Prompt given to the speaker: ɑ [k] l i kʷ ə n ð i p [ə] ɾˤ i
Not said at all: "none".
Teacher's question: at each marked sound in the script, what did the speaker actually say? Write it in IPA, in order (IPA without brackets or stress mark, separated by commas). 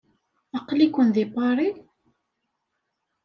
q, ɑ